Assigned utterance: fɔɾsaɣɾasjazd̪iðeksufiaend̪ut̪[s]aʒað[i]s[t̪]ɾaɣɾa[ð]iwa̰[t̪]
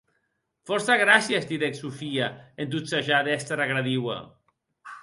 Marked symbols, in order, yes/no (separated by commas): yes, no, yes, yes, no